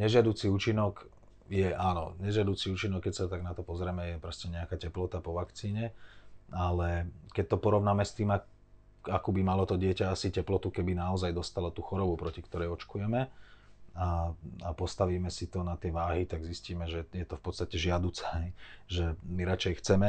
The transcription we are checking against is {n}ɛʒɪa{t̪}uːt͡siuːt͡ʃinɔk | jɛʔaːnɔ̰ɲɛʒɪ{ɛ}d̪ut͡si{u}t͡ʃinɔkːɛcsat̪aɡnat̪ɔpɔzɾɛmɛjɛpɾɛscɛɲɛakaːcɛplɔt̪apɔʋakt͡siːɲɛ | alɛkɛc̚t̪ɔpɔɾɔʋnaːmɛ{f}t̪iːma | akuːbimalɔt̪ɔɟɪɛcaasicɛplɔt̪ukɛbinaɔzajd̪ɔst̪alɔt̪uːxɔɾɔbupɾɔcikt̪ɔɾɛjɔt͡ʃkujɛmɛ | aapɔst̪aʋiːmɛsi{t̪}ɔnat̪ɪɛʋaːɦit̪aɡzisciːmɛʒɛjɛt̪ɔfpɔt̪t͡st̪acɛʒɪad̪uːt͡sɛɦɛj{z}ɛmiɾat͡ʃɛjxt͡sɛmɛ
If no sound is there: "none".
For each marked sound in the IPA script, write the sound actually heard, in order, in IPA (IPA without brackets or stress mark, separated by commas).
ɲ, d̪, a, uː, s, t̪, ʒ